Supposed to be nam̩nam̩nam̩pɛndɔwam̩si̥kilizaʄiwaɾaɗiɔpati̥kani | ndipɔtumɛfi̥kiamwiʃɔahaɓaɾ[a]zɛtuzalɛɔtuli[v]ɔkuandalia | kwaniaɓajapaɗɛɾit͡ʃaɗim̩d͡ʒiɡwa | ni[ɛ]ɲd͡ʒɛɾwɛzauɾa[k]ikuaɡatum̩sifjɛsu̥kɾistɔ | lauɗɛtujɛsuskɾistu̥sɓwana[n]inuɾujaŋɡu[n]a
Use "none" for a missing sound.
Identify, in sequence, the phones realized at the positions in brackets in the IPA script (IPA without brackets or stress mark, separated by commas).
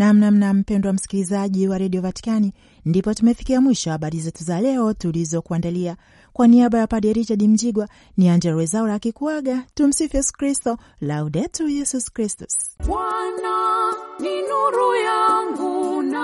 i, z, a, k, n, n